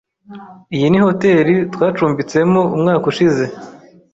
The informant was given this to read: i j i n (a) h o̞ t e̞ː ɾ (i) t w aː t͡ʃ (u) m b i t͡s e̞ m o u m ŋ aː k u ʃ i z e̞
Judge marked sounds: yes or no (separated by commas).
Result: no, yes, no